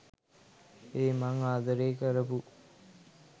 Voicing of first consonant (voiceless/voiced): voiced